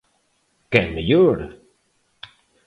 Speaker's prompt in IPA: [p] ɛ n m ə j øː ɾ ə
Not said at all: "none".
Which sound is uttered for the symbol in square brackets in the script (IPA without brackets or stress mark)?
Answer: k